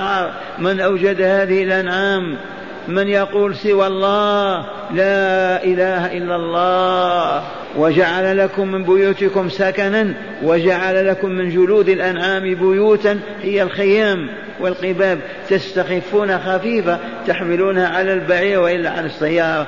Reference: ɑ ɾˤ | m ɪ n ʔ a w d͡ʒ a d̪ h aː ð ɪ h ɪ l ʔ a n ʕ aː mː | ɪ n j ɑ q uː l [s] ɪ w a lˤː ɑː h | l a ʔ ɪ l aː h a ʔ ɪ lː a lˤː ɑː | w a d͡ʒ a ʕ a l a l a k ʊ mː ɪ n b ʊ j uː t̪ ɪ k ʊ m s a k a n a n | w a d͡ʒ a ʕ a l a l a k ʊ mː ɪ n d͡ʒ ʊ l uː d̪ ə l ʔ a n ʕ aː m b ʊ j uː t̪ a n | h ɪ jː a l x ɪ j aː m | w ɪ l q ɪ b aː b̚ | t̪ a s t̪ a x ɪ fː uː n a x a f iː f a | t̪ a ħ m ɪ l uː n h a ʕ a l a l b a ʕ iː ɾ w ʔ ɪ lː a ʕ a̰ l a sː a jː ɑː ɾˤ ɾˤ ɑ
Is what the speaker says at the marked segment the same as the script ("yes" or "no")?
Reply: yes